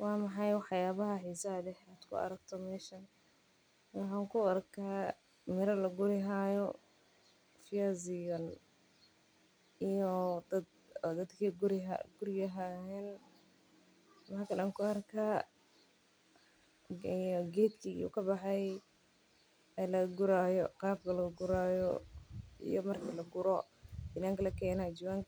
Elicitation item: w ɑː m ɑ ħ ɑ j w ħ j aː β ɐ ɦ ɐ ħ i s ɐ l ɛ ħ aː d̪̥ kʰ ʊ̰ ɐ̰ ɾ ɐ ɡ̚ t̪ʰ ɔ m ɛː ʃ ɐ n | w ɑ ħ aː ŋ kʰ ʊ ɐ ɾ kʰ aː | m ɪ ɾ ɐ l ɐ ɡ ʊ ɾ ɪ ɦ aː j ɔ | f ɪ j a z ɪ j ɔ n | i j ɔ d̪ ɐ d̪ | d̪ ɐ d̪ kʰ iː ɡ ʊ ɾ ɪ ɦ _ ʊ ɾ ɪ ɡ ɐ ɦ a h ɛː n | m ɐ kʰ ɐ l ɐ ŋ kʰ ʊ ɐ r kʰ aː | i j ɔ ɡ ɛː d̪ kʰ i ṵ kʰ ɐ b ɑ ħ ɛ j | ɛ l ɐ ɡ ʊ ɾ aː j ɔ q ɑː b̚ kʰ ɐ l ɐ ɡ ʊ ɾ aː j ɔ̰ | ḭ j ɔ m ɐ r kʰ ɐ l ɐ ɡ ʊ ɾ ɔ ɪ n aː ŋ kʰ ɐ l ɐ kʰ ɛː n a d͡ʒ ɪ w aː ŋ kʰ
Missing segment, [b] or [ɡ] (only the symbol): ɡ